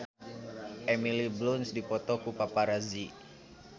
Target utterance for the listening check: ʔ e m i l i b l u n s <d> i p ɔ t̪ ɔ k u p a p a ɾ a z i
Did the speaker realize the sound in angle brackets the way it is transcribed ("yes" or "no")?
yes